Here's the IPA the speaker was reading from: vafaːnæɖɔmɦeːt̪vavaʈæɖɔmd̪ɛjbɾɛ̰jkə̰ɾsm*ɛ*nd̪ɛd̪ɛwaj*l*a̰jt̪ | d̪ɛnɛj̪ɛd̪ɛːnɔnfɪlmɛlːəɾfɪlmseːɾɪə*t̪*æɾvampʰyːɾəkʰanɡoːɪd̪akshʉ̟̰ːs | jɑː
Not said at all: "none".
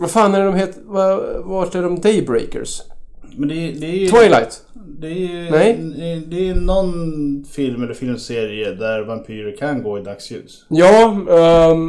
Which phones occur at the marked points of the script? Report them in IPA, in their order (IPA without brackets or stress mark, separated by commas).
ɛ, l, d̪